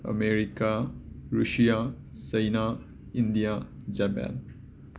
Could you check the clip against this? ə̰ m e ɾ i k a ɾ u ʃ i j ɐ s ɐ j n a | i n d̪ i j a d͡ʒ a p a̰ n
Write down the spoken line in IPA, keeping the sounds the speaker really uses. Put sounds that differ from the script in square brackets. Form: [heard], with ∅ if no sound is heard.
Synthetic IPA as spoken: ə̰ m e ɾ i k a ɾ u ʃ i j [a] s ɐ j n a | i n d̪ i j a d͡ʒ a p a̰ n